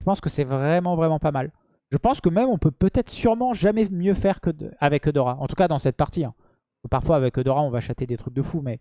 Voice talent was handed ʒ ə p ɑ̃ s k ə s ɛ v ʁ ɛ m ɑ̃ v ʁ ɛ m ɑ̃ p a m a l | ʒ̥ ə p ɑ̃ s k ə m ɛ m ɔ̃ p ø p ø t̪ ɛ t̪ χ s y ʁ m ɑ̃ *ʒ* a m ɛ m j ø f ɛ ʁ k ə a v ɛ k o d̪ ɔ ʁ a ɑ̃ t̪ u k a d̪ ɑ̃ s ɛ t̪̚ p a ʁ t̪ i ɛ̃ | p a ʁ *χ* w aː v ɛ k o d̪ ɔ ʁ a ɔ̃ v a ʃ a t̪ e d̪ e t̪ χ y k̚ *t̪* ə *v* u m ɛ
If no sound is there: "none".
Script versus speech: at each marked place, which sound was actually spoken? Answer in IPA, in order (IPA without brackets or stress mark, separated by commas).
ʒ, f, d̪, f